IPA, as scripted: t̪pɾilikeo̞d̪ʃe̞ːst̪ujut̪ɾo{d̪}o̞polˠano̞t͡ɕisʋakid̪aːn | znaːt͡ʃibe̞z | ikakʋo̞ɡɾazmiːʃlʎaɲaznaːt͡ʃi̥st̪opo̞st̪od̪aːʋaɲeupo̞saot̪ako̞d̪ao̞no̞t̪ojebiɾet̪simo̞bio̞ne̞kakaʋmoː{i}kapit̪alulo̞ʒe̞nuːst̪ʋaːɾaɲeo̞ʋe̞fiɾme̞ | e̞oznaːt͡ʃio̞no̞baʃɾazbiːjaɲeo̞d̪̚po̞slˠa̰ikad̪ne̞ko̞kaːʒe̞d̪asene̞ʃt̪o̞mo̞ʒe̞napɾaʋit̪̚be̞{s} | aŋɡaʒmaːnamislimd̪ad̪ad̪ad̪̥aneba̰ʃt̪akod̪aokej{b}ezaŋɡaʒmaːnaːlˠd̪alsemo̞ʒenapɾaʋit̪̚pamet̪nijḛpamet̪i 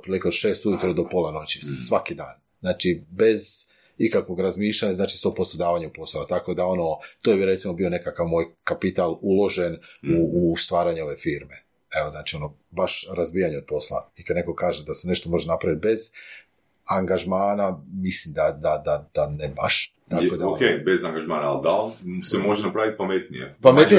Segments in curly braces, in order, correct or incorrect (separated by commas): correct, incorrect, incorrect, correct